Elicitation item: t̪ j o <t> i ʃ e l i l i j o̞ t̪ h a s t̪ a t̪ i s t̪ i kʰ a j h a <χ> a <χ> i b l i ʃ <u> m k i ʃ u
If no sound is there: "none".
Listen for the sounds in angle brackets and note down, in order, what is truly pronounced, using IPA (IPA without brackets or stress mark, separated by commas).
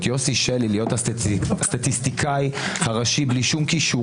s, ʁ, ʃ, u